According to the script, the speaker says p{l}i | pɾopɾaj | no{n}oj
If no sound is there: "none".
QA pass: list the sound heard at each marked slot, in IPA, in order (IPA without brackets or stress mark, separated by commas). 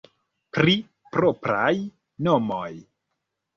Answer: ɾ, m